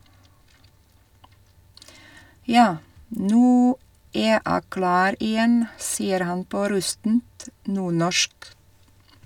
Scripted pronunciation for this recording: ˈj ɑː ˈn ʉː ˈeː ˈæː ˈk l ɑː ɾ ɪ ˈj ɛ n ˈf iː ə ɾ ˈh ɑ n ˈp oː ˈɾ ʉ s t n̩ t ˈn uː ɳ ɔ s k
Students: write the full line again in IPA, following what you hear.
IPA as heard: ˈj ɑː ˈn ʉː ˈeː ˈæː ˈk l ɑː ɾ ɪ ˈj ɛ n ˈs iː ə ɾ ˈh ɑ n ˈp oː ˈɾ ʉ s t n̩ t ˈn uː ɳ ɔ ʃ k